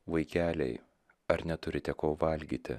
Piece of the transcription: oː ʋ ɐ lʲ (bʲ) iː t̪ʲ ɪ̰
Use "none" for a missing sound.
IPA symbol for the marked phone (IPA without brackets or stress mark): ɡʲ